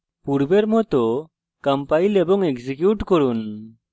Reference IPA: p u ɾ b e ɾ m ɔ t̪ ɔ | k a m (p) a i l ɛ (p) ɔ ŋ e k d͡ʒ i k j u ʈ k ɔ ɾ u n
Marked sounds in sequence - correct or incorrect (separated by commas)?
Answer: correct, incorrect